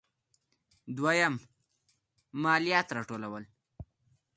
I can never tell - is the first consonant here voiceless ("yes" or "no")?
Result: no